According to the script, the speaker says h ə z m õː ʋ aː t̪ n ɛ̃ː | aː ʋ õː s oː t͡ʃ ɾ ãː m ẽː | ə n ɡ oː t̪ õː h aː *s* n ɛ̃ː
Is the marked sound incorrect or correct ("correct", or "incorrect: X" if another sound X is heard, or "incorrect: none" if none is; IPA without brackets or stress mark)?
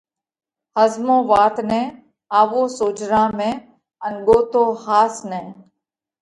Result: correct